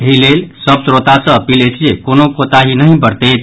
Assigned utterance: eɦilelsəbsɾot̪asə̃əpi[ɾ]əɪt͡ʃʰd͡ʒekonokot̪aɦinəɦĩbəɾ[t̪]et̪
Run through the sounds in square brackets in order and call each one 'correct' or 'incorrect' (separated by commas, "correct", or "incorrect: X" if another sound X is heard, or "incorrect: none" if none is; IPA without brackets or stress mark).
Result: incorrect: l, correct